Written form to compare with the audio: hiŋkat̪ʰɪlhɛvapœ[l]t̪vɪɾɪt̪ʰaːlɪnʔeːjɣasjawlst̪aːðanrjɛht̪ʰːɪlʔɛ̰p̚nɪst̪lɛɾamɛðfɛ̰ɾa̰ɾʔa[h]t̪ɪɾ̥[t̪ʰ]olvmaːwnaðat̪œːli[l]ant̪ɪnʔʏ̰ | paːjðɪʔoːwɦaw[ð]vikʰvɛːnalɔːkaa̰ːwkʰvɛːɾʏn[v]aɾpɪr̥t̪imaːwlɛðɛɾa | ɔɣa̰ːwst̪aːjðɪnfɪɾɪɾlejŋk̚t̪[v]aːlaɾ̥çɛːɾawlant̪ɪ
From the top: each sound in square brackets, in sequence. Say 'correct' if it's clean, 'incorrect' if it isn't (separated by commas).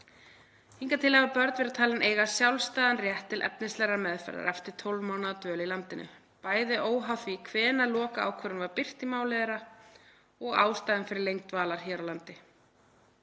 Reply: incorrect, incorrect, correct, correct, incorrect, correct, correct